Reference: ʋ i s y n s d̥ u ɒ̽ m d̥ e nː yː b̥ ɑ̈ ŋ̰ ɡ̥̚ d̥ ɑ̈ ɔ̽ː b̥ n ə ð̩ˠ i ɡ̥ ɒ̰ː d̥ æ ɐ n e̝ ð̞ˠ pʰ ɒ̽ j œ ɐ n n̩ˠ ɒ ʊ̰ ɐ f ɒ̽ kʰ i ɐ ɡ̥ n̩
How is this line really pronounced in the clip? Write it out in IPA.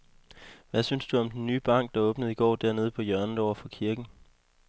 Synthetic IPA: ʋ æ s y n s d̥ u ɒ̽ m d̥ e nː yː b̥ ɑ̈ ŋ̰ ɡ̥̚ d̥ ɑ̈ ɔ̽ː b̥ n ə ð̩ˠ i ɡ̥ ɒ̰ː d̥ æ ɐ n e̝ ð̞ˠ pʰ ɒ̽ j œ ɐ n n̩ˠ ɒ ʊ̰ ɐ f ɒ̽ kʰ i ɐ ɡ̥ n̩